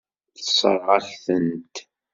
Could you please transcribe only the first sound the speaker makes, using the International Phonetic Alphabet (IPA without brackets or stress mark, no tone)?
θ